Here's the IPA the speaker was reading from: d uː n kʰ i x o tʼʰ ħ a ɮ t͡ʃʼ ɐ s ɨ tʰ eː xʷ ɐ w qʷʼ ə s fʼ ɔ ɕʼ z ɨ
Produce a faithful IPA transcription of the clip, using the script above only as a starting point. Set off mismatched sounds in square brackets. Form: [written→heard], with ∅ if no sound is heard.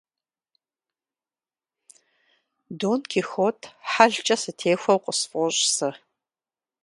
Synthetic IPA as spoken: d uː n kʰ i x o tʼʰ ħ a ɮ t͡ʃʼ ɐ s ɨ tʰ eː xʷ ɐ w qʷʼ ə s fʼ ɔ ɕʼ [z→s] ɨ